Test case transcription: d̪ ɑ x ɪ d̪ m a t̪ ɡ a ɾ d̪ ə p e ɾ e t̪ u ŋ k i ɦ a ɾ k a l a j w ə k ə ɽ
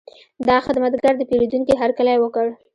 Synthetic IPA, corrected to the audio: d̪ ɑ x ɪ d̪ m a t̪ ɡ a ɾ d̪ ə p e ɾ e d̪ u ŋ k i ɦ a ɾ k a l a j w ə k ə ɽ